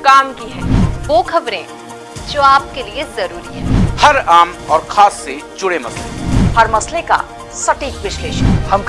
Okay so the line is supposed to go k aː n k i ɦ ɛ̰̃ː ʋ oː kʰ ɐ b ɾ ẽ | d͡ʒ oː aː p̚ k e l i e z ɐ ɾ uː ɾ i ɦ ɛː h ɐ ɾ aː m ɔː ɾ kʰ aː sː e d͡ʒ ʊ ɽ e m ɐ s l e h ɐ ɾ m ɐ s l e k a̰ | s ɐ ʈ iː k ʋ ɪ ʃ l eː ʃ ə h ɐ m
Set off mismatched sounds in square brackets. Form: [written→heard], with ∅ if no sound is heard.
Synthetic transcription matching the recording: k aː [n→m] k i ɦ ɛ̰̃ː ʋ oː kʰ ɐ b ɾ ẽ | d͡ʒ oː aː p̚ k e l i e z ɐ ɾ uː ɾ i ɦ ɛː h ɐ ɾ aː m ɔː ɾ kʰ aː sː e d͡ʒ ʊ ɽ e m ɐ s l e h ɐ ɾ m ɐ s l e k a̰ | s ɐ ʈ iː k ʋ ɪ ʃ l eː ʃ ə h ɐ m